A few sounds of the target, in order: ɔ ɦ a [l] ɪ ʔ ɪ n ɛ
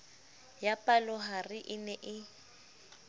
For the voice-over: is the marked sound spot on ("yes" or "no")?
no